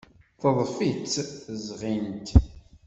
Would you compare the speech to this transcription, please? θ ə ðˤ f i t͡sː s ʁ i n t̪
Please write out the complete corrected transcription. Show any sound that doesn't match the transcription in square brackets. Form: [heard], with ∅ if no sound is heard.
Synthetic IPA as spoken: θ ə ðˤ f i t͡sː [z] ʁ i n t̪